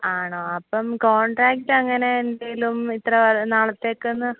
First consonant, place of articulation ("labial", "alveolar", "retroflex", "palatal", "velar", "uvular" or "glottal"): retroflex